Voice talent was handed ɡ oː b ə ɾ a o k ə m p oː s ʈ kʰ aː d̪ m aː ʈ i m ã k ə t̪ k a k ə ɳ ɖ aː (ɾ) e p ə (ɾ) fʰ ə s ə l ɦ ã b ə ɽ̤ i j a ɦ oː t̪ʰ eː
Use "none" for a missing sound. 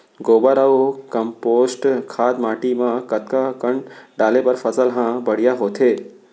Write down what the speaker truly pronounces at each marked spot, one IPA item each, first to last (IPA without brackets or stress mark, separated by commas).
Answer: l, ɾ